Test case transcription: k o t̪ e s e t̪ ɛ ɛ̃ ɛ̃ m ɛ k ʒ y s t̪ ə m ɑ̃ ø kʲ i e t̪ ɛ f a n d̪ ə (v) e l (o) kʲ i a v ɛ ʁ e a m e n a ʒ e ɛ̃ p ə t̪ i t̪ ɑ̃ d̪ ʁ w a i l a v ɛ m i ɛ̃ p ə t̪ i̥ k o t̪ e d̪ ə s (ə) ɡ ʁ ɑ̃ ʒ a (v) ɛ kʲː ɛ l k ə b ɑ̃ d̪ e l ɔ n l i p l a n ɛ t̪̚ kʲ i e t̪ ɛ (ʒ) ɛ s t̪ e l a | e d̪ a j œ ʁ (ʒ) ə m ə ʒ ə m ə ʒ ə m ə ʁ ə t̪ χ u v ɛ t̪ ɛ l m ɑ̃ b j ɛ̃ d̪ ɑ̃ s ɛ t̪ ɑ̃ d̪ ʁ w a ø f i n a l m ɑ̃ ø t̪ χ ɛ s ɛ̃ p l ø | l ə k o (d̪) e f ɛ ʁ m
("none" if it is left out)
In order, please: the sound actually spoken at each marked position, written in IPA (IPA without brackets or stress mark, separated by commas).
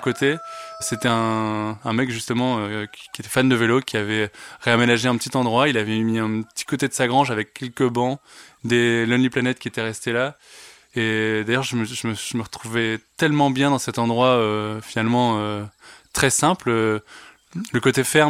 v, o, a, v, ʁ, ʒ, t̪